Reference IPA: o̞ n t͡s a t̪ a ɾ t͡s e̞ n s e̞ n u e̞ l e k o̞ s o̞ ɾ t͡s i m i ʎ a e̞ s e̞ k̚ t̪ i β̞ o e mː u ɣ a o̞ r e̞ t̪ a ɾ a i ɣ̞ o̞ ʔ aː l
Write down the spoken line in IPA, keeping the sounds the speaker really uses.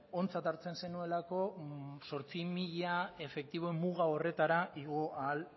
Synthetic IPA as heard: o̞ n t͡s a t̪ a ɾ t͡s e̞ n s e̞ n u e̞ l a k o̞ s o̞ ɾ t͡s i m i ʎ a e̞ f e̞ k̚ t̪ i β̞ o e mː u ɣ a o̞ r e̞ t̪ a ɾ a i ɣ̞ o̞ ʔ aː l